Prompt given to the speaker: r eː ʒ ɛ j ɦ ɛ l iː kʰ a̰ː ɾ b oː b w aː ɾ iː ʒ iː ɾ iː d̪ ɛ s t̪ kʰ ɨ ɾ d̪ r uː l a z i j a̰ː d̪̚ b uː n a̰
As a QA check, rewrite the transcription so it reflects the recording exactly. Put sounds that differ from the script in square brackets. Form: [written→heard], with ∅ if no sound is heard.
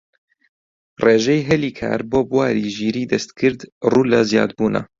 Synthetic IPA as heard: r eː ʒ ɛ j ɦ ɛ l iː kʰ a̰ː ɾ b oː b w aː ɾ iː ʒ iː ɾ iː d̪ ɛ s t̪ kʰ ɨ ɾ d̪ r uː l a z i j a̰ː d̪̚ b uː n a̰